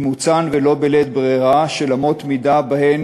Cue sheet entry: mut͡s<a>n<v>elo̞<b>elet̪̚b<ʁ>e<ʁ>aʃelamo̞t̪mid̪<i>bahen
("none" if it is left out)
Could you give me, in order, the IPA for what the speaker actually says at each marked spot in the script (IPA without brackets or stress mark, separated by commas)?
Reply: a, v, b, ʁ, ʁ, a